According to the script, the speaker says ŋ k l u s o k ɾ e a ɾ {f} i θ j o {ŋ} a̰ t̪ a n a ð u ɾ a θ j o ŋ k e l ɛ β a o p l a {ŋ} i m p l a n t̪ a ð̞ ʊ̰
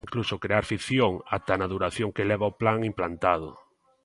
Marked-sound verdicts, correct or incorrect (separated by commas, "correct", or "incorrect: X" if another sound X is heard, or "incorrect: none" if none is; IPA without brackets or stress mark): correct, correct, correct